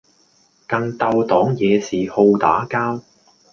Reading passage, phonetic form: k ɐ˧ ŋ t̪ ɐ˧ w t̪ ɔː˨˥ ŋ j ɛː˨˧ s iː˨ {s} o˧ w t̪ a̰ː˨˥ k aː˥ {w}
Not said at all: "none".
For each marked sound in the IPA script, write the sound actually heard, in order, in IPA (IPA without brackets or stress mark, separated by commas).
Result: h, w